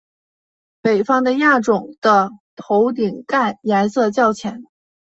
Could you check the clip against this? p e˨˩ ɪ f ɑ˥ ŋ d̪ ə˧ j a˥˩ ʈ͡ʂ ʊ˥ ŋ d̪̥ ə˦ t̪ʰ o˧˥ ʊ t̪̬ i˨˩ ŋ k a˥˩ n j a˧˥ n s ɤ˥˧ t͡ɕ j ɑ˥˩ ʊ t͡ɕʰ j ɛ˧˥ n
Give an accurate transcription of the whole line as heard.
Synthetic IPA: p e˨˩ ɪ f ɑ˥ ŋ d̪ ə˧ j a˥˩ ʈ͡ʂ ʊ˨˩ ŋ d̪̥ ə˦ t̪ʰ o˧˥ ʊ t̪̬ i˨˩ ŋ k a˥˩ n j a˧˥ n s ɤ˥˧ t͡ɕ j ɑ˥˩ ʊ t͡ɕʰ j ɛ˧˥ n

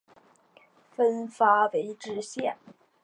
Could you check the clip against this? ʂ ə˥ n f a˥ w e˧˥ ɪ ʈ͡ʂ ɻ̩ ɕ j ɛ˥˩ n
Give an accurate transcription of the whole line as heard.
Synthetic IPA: f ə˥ n f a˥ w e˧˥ ɪ ʈ͡ʂ ɻ̩ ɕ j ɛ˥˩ n

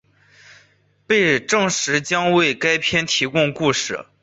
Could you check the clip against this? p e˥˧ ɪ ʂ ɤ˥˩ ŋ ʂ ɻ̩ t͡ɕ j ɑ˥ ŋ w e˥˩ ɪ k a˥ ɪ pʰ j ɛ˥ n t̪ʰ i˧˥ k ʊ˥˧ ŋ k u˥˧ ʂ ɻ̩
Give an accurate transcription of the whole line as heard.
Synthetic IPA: p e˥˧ ɪ ʈ͡ʂ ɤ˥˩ ŋ ʂ ɻ̩ t͡ɕ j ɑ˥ ŋ w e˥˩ ɪ k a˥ ɪ pʰ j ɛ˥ n t̪ʰ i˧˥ k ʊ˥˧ ŋ k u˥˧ ʂ ɻ̩

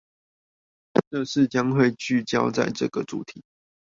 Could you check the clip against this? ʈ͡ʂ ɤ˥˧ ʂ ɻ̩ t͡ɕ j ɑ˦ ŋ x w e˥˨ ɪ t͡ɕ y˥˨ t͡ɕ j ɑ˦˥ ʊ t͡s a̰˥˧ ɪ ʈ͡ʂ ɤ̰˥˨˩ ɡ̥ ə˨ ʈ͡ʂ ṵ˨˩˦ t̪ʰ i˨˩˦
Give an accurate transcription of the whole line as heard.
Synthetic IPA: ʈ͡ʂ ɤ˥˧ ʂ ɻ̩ t͡ɕ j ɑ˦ ŋ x w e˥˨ ɪ t͡ɕ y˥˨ t͡ɕ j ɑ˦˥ ʊ t͡s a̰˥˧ ɪ ʈ͡ʂ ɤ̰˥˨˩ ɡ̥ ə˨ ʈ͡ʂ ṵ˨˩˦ t̪ʰ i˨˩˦

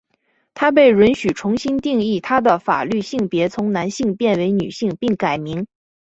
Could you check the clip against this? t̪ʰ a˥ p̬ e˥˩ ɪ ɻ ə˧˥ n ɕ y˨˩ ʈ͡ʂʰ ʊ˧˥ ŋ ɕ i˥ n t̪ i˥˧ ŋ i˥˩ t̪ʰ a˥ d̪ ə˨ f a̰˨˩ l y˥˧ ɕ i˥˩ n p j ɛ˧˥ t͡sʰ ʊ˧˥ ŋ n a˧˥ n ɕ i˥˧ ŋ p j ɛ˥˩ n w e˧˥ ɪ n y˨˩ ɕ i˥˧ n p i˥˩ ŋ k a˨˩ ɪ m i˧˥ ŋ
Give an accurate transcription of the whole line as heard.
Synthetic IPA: t̪ʰ a˥ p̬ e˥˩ ɪ ɻ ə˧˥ n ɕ y˨˩ ʈ͡ʂʰ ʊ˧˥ ŋ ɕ i˥ n t̪ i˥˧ ŋ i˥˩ t̪ʰ a˥ d̪ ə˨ f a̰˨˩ l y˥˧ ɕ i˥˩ ŋ p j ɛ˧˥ t͡sʰ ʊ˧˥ ŋ n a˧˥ n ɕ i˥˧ ŋ p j ɛ˥˩ n w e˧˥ ɪ n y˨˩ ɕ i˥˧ ŋ p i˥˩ ŋ k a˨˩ ɪ m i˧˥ ŋ

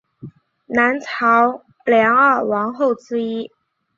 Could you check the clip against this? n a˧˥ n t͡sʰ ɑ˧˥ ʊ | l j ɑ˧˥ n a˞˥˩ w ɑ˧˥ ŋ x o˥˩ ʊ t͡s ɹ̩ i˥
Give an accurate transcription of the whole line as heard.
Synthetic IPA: n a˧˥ n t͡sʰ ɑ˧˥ ʊ | l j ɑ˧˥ ŋ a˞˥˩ w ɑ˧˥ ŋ x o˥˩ ʊ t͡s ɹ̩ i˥

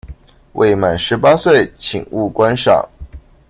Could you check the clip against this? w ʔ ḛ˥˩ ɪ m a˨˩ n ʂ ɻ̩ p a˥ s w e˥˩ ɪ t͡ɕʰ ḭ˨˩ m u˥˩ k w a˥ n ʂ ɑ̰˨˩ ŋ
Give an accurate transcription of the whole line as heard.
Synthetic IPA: w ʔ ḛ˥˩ ɪ m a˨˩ n ʂ ɻ̩ p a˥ s w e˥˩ ɪ t͡ɕʰ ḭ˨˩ ŋ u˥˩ k w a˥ n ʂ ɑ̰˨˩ ŋ

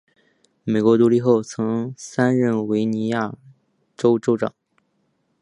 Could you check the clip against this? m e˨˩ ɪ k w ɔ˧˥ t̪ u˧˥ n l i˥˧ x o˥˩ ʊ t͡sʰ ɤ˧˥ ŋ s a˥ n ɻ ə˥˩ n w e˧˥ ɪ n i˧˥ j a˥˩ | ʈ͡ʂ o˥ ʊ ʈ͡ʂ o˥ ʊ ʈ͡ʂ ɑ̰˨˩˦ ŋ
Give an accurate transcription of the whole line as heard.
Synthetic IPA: m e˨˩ ɪ k w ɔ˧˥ t̪ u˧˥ l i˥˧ x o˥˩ ʊ t͡sʰ ɤ˧˥ ŋ s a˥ n ɻ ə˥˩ n w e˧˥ ɪ n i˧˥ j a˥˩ | ʈ͡ʂ o˥ ʊ ʈ͡ʂ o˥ ʊ ʈ͡ʂ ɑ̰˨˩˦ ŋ

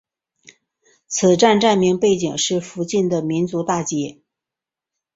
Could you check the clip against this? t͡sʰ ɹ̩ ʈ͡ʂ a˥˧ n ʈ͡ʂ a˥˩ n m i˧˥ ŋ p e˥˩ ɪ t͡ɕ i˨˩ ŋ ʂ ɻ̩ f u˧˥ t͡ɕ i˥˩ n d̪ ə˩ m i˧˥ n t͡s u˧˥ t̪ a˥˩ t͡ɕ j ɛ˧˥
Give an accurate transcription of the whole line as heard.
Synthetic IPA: t͡sʰ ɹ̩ ʈ͡ʂ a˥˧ n ʈ͡ʂ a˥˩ n m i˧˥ ŋ p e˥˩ ɪ t͡ɕ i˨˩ ŋ ʂ ɻ̩ f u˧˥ t͡ɕ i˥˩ n d̪ ə˩ m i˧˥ n t͡s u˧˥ t̪ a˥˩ t͡ɕ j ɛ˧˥

